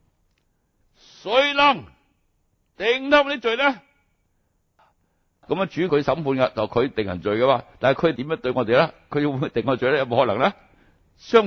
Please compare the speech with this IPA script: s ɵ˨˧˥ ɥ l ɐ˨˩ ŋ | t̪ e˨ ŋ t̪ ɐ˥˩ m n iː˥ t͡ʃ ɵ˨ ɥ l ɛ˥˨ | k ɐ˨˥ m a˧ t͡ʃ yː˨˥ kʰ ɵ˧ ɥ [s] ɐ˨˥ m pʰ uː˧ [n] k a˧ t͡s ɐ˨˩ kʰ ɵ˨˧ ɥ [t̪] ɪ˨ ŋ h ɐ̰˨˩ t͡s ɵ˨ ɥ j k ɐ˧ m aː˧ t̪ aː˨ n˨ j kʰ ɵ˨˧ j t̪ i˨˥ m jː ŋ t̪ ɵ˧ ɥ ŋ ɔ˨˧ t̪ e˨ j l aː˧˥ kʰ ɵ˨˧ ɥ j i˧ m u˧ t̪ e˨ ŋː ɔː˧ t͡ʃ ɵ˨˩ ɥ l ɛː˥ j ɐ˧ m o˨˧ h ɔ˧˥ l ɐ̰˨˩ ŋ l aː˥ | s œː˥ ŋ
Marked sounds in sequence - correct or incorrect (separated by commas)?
correct, correct, correct